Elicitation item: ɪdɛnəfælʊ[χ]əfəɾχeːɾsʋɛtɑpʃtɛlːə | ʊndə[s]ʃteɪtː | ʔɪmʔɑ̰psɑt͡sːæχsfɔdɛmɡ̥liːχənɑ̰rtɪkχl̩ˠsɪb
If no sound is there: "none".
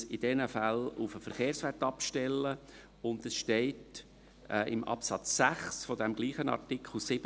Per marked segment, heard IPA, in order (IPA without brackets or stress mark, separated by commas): f, s